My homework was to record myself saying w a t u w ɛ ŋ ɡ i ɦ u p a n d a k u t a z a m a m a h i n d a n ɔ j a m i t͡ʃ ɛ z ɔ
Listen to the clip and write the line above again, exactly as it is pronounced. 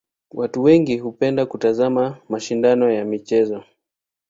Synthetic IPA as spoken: w a t u w ɛ ŋ ɡ i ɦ u p ɛ n d a k u t a z a m a m a ʃ i n d a n ɔ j a m i t͡ʃ ɛ z ɔ